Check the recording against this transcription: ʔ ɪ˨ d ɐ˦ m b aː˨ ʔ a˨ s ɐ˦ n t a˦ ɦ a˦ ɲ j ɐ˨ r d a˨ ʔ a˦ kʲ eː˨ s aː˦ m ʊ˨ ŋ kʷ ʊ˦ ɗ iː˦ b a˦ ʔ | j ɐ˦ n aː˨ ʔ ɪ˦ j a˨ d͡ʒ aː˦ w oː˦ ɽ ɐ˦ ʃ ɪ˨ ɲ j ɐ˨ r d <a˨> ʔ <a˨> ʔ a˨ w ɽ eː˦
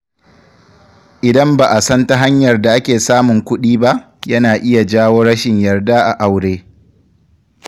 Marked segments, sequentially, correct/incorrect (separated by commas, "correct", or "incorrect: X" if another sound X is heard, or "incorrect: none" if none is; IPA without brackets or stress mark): incorrect: a˦, correct